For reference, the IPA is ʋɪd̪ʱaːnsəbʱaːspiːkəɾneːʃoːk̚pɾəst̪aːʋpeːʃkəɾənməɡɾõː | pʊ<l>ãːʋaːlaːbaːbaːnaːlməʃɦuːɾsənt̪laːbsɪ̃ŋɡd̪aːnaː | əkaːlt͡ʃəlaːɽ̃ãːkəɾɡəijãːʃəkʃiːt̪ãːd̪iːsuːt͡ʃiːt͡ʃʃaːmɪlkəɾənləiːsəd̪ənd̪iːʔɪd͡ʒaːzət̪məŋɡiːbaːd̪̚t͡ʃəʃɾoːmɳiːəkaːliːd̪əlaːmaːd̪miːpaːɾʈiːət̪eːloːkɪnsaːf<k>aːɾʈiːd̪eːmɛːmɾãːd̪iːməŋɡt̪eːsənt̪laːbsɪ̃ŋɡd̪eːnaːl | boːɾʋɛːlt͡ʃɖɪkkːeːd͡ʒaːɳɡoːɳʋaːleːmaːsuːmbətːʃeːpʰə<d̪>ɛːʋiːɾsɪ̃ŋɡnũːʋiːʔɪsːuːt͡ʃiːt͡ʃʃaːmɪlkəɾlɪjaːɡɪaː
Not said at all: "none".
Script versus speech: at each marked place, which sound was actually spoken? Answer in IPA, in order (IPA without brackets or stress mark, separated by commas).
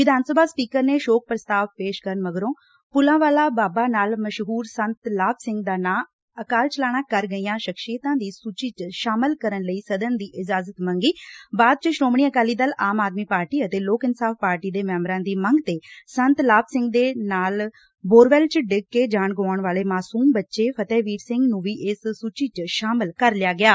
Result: l, p, t̪